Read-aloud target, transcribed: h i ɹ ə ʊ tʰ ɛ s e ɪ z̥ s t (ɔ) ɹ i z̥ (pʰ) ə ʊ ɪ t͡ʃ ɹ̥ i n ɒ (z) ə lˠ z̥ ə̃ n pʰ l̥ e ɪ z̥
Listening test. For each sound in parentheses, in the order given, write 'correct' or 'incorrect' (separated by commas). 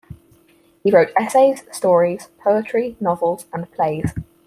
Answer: incorrect, correct, incorrect